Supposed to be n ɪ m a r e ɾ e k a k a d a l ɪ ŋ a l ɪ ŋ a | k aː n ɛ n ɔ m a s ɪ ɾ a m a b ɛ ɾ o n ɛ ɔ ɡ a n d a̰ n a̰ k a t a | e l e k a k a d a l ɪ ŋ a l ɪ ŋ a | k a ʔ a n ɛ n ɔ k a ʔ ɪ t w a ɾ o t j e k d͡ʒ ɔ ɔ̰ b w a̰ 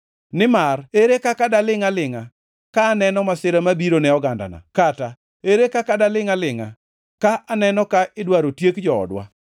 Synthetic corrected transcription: n ɪ m a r e ɾ e k a k a d a l ɪ ŋ a l ɪ ŋ a | k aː n ɛ n ɔ m a s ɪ ɾ a m a b i ɾ o n ɛ ɔ ɡ a n d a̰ n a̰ k a t a | e ɾ e k a k a d a l ɪ ŋ a l ɪ ŋ a | k a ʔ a n ɛ n ɔ k a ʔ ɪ d w a ɾ o t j e k d͡ʒ ɔ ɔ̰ d w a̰

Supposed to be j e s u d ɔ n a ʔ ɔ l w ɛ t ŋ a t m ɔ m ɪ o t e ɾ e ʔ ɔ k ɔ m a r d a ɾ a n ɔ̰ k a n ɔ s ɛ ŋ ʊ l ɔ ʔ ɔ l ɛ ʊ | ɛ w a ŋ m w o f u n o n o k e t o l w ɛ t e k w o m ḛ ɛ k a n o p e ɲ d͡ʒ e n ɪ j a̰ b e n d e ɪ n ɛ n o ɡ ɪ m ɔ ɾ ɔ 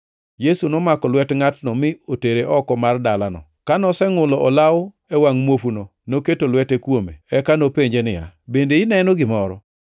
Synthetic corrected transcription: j e s u n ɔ m a k ɔ l w ɛ t ŋ a t n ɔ m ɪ o t e ɾ e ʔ ɔ k ɔ m a r d a l a n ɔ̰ k a n ɔ s ɛ ŋ ʊ l ɔ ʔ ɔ l a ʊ | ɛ w a ŋ m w o f u n o n o k e t o l w ɛ t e k w o m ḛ ɛ k a n o p e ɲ d͡ʒ e n ɪ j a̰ b e n d e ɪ n ɛ n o ɡ ɪ m ɔ ɾ ɔ

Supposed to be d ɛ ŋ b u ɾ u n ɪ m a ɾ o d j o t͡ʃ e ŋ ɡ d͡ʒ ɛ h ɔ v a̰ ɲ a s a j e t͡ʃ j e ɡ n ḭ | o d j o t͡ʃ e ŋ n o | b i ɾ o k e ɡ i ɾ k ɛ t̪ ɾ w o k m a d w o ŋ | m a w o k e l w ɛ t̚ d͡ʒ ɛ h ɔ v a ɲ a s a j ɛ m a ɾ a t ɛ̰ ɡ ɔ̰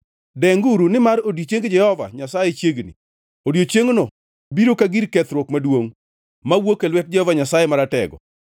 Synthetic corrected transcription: d ɛ ŋ ɡ u ɾ u n ɪ m a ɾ o d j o t͡ʃ e ŋ ɡ d͡ʒ ɛ h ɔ v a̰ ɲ a s a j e t͡ʃ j e ɡ n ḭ | o d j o t͡ʃ e ŋ n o | b i ɾ o k a ɡ i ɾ k ɛ t̪ ɾ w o k m a d w o ŋ | m a w o k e l w ɛ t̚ d͡ʒ ɛ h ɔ v a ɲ a s a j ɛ m a ɾ a t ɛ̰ ɡ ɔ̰

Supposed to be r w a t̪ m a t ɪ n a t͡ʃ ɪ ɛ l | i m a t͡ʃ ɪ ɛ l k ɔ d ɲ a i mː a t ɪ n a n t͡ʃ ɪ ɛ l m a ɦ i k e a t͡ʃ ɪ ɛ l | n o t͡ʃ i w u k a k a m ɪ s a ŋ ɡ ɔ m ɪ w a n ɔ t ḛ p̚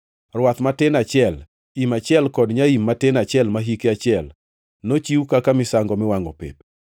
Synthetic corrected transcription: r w a t̪ m a t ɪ n a t͡ʃ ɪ ɛ l | i m a t͡ʃ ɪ ɛ l k ɔ d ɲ a i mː a t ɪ n a t͡ʃ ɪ ɛ l m a ɦ i k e a t͡ʃ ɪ ɛ l | n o t͡ʃ i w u k a k a m ɪ s a ŋ ɡ ɔ m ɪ w a ŋ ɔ p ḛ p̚

